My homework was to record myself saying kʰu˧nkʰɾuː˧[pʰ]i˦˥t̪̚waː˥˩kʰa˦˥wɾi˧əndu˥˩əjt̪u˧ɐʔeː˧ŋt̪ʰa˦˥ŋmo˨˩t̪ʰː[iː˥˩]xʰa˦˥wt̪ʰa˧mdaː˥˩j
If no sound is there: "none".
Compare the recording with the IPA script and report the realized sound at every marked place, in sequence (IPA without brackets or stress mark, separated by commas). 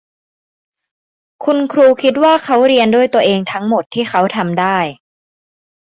kʰ, iː˥˩